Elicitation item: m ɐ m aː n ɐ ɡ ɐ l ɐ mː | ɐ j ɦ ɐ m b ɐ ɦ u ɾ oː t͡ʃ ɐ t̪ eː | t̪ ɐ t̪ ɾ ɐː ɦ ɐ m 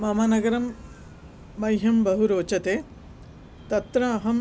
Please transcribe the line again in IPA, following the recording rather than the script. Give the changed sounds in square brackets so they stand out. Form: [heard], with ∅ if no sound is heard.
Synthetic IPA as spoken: m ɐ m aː n ɐ ɡ ɐ [ɾ] ɐ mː | ɐ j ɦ ɐ m b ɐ ɦ u ɾ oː t͡ʃ ɐ t̪ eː | t̪ ɐ t̪ ɾ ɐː ɦ ɐ m